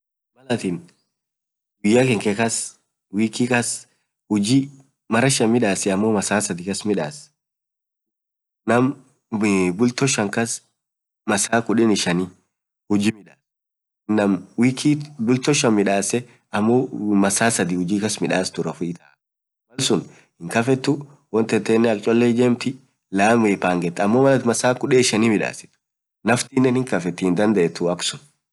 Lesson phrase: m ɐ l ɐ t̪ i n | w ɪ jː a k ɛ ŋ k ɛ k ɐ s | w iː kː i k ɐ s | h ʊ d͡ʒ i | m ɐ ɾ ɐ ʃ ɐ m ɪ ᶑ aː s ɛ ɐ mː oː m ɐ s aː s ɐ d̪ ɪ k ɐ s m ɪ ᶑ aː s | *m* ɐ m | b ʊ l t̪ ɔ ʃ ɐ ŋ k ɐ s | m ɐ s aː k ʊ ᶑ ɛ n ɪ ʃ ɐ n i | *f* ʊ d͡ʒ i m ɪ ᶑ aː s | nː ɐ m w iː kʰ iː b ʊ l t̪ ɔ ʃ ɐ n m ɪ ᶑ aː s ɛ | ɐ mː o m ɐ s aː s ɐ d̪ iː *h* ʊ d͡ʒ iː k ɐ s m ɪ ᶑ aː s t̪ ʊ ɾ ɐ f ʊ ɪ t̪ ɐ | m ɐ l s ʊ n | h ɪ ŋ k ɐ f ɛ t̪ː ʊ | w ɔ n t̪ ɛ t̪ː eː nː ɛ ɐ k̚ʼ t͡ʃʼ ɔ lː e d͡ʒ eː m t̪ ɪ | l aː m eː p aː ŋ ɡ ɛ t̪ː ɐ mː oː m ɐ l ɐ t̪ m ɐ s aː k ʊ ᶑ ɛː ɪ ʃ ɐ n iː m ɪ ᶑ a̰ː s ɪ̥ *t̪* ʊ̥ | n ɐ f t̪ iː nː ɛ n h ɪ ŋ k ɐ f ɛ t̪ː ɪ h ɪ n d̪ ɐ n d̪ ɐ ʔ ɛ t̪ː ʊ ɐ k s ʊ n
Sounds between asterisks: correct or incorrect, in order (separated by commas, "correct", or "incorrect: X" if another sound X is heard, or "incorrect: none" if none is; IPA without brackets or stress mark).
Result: incorrect: n, incorrect: h, correct, correct